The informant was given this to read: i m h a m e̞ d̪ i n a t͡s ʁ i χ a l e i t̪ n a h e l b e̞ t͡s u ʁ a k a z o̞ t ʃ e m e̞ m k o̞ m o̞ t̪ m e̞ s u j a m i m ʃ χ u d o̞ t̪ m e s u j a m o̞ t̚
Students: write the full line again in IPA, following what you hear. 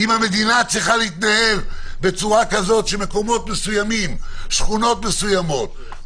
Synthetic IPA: i m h a m e̞ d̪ i n a t͡s ʁ i χ a l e i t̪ n a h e l b e̞ t͡s u ʁ a k a z o̞ t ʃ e m e̞ k o̞ m o̞ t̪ m e̞ s u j a m i m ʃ χ u n o̞ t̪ m e s u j a m o̞ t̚